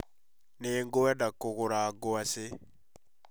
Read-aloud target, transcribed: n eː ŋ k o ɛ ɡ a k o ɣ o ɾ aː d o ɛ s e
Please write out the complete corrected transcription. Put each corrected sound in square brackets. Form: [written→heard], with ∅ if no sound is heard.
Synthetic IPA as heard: n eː ŋ [k→ɡ] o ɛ [ɡ→d] a k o ɣ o ɾ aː [d→ɡ] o [ɛ→a] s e